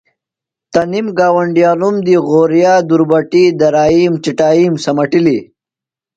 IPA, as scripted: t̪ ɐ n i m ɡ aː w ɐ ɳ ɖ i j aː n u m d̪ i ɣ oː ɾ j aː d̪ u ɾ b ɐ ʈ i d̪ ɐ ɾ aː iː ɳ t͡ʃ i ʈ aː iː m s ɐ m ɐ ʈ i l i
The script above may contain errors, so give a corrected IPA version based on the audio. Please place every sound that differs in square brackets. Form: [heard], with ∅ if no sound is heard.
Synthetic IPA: t̪ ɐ n i m ɡ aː w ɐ ɳ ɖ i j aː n u m d̪ i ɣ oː ɾ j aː d̪ u ɾ b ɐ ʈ i d̪ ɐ ɾ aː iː [m] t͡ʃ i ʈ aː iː m s ɐ m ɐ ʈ i l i